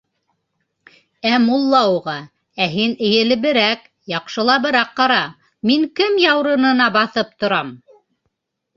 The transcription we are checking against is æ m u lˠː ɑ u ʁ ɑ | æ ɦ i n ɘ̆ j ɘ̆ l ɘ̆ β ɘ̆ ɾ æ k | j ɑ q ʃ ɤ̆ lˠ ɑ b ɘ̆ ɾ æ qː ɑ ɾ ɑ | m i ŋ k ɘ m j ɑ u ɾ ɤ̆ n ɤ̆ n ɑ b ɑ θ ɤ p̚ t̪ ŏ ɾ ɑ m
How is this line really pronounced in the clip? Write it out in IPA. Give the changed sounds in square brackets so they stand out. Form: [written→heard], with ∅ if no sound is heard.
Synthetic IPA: æ m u lˠː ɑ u ʁ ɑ | æ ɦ i n ɘ̆ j ɘ̆ l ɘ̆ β ɘ̆ ɾ æ k | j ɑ q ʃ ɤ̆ lˠ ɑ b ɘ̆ ɾ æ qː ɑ ɾ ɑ | m i ŋ k ɘ m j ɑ [u→w] ɾ ɤ̆ n ɤ̆ n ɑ b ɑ θ ɤ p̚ t̪ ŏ ɾ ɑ m